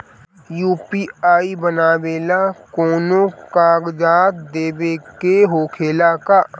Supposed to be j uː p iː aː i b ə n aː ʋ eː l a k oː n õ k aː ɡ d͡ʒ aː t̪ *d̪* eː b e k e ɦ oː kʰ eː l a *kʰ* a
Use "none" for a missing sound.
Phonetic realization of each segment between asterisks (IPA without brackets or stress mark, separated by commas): d̪, k